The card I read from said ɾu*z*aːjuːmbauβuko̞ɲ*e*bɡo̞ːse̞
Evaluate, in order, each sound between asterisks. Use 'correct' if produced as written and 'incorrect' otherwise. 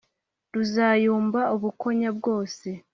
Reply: correct, incorrect

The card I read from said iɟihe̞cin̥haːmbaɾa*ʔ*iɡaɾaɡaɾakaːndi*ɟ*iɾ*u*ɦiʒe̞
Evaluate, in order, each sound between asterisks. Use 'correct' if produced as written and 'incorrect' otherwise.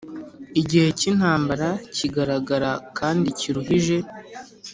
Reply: incorrect, incorrect, correct

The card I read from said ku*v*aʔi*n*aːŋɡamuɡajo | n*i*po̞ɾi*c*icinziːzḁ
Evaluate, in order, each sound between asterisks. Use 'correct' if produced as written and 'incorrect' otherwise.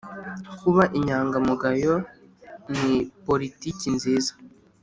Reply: incorrect, incorrect, correct, incorrect

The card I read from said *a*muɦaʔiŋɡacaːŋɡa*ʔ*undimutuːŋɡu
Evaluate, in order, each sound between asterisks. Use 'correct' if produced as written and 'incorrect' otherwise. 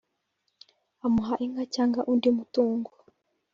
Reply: correct, correct

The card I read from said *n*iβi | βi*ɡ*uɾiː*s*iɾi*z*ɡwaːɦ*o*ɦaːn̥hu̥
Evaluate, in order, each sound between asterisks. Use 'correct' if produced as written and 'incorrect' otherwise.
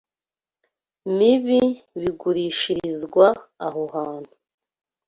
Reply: incorrect, correct, incorrect, correct, correct

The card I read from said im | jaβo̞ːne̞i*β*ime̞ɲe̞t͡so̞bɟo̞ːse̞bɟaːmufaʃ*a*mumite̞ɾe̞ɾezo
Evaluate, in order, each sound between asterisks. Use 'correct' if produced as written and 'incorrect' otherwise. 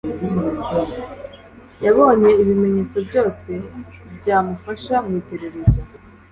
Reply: correct, correct

